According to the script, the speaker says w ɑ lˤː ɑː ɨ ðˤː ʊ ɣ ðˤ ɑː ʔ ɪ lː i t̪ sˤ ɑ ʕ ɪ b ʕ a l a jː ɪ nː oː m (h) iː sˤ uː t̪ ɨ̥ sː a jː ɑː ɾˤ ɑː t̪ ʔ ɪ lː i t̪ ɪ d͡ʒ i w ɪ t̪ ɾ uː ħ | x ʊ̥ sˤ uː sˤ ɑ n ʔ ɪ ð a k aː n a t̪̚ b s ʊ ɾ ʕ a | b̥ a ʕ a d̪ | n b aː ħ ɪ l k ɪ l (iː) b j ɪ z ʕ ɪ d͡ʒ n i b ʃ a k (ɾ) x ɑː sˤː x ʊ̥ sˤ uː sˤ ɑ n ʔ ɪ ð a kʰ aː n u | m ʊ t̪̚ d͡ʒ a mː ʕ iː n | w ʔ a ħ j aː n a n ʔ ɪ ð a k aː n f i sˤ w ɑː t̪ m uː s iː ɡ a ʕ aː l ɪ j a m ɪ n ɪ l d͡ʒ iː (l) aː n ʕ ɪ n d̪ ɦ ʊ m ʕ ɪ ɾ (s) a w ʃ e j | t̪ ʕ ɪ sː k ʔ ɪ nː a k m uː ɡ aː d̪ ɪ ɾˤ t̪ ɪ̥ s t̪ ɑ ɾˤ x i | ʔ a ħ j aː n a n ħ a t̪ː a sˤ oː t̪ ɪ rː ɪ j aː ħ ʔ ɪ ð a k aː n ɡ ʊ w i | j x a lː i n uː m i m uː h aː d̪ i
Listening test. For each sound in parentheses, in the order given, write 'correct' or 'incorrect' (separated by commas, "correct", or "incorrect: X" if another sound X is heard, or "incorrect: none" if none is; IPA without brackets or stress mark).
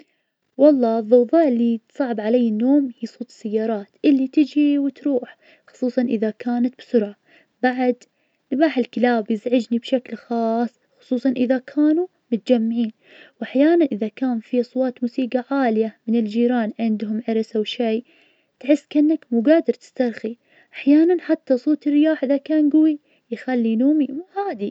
correct, incorrect: aː, incorrect: l, incorrect: ɾ, correct